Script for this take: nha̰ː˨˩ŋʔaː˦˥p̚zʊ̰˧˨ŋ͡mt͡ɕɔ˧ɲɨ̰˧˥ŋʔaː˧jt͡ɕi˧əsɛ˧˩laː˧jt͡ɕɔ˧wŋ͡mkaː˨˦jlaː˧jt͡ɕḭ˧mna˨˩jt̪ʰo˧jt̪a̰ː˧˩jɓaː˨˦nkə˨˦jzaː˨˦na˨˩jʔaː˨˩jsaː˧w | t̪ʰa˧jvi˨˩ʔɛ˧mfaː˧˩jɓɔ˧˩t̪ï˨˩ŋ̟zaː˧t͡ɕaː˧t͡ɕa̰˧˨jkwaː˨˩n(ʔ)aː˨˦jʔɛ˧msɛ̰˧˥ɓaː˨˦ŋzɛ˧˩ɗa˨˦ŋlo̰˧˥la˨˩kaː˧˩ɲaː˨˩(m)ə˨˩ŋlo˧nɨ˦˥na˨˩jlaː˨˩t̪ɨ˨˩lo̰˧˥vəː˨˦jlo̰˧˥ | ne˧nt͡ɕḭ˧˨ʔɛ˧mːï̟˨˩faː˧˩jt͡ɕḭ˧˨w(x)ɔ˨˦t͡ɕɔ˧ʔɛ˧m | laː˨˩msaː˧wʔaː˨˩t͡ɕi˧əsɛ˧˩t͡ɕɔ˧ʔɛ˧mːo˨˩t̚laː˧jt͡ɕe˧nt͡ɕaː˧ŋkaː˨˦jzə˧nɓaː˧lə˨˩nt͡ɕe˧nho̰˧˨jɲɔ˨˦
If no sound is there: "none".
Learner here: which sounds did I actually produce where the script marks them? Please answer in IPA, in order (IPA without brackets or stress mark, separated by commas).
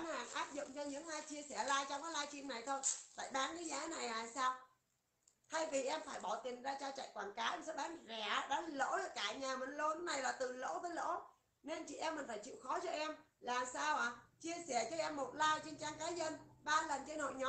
k, m, x